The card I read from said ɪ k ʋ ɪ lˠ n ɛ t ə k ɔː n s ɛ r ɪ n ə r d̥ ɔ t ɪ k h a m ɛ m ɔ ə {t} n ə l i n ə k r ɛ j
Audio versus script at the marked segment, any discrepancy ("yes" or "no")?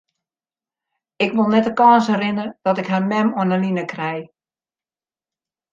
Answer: yes